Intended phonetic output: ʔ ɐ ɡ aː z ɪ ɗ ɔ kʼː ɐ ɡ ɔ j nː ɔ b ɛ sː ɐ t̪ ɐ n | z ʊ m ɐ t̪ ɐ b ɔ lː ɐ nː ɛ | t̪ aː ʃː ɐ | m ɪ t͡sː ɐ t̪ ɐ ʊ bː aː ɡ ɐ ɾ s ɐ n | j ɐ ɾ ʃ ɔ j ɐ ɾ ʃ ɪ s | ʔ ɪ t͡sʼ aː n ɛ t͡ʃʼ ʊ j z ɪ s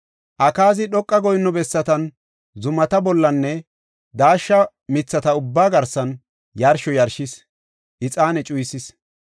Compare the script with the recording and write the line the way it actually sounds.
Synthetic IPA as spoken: ʔ ɐ k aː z ɪ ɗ ɔ kʼː ɐ ɡ ɔ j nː ɔ b ɛ sː ɐ t̪ ɐ n | z ʊ m ɐ t̪ ɐ b ɔ lː ɐ nː ɛ | d̪ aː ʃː ɐ | m ɪ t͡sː ɐ t̪ ɐ ʊ bː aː ɡ ɐ ɾ s ɐ n | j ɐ ɾ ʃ ɔ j ɐ ɾ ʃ ɪ s | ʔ ɪ t͡sʼ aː n ɛ t͡ʃʼ ʊ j s ɪ s